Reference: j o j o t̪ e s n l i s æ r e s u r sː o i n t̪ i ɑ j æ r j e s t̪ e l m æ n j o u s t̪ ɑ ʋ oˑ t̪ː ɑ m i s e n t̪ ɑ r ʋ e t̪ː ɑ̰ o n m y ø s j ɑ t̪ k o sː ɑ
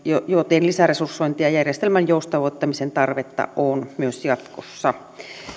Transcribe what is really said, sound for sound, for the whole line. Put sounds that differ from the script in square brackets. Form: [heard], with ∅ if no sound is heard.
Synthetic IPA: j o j o t̪ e [∅] n l i s æ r e s u r sː o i n t̪ i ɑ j æ r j e s t̪ e l m æ n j o u s t̪ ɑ ʋ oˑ t̪ː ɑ m i s e n t̪ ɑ r ʋ e t̪ː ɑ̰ o n m y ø s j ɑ t̪ k o sː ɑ